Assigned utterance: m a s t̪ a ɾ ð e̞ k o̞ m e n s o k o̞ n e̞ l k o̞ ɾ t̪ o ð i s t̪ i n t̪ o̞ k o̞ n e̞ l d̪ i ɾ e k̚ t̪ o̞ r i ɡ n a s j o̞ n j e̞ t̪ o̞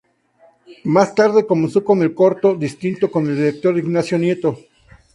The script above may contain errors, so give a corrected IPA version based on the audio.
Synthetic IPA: m a s t̪ a ɾ ð e̞ k o̞ m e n s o k o̞ n e̞ l k o̞ ɾ t̪ o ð i s t̪ i n t̪ o̞ k o̞ n e̞ l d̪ i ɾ e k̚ t̪ o̞ ɾ i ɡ n a s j o̞ n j e̞ t̪ o̞